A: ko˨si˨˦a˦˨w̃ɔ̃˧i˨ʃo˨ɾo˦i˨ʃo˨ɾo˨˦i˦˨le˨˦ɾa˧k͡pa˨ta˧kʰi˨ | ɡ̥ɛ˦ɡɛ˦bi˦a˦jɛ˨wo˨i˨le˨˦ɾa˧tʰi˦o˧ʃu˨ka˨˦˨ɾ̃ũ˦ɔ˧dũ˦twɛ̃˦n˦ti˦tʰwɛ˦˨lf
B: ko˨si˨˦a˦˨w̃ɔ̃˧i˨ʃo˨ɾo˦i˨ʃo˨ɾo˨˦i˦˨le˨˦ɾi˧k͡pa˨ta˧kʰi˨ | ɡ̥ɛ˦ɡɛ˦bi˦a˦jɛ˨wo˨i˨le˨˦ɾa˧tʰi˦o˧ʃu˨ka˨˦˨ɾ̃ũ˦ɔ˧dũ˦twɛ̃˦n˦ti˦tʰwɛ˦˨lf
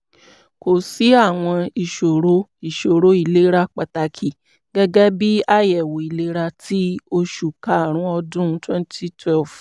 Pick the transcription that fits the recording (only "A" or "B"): A